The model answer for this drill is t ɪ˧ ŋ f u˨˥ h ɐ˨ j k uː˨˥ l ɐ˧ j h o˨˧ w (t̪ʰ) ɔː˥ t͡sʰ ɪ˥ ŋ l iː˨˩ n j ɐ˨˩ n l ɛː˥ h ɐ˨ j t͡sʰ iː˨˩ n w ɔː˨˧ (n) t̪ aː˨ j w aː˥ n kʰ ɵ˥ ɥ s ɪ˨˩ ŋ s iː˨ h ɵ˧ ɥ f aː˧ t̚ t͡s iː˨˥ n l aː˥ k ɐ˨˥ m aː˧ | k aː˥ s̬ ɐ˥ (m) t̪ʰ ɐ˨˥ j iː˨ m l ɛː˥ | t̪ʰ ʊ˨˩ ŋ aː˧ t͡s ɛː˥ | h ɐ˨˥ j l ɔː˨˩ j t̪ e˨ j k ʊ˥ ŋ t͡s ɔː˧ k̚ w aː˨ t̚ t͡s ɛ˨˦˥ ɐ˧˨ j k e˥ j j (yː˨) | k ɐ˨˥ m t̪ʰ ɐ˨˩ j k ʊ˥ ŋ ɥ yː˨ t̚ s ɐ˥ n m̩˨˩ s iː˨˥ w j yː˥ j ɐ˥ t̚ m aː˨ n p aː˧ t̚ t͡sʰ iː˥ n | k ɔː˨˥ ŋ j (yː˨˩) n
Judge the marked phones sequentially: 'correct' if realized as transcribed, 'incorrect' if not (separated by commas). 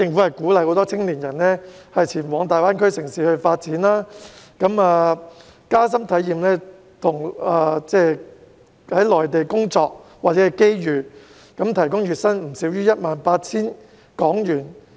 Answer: incorrect, incorrect, correct, correct, correct